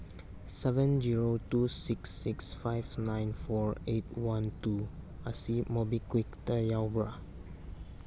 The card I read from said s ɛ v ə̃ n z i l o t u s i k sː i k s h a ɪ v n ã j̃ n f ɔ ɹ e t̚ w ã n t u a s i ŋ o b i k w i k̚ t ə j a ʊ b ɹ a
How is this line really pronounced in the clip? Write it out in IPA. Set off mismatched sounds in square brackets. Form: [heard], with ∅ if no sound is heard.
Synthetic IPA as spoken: s ɛ v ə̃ n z i [ɹ] o t u s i k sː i k s [f] a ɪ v n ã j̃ n f ɔ ɹ e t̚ w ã n t u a s i [m] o b i k w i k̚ t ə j a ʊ b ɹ a

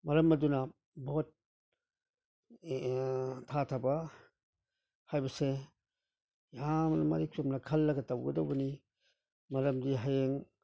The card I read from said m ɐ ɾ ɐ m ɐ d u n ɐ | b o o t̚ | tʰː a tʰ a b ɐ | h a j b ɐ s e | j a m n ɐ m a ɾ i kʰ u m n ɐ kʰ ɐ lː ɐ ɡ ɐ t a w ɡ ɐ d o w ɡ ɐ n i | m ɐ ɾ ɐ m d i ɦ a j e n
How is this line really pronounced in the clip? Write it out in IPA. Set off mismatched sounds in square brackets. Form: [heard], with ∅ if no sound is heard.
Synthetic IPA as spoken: m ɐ ɾ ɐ m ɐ d u n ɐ | b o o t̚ | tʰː a tʰ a b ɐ | h a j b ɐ s e | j a m n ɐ m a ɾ i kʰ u m n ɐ kʰ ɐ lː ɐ ɡ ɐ t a w ɡ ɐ d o w [b] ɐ n i | m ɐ ɾ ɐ m d i ɦ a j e [ŋ]

